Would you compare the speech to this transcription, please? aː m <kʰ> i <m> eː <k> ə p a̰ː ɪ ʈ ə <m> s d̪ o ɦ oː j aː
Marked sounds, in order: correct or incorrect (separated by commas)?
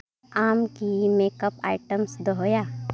incorrect, correct, correct, correct